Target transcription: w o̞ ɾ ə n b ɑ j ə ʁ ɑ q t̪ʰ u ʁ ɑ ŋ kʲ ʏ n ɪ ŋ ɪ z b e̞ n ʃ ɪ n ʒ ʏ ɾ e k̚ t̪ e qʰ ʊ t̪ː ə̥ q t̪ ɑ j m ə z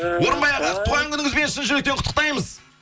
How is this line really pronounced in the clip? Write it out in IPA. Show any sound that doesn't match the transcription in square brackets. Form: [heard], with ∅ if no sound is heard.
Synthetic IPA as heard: w o̞ ɾ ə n b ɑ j [ɑ] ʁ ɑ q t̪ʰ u ʁ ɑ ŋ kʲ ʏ n ɪ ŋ ɪ z b e̞ n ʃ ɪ n ʒ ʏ ɾ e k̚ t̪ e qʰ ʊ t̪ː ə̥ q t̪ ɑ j m ə z